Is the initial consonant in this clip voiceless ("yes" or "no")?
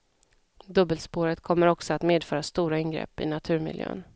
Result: no